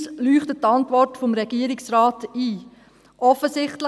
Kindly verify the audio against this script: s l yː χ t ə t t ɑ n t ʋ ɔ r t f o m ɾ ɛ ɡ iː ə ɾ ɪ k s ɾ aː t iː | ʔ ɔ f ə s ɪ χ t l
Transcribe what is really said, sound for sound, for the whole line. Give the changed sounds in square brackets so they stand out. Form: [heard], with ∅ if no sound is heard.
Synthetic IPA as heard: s l yː χ t ə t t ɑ n t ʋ ɔ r t f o m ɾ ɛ ɡ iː ə ɾ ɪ k s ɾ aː t iː | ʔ ɔ f ə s ɪ χ t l